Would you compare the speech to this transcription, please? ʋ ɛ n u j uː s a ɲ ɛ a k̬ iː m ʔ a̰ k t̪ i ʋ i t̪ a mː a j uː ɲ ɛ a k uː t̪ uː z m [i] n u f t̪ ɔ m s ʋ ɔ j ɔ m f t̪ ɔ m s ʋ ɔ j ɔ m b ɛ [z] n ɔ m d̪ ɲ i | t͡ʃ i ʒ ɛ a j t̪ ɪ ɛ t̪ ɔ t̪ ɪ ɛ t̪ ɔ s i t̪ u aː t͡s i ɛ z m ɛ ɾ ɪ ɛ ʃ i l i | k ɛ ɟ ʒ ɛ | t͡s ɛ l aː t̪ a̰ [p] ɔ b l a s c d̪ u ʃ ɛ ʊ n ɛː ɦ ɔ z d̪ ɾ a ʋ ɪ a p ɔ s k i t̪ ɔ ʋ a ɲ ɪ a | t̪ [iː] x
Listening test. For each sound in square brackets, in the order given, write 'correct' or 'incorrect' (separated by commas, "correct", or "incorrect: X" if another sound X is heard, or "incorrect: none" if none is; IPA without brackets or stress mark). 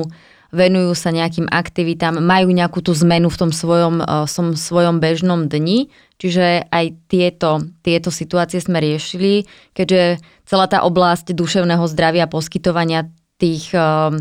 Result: incorrect: ɛ, incorrect: ʒ, incorrect: ʔ, correct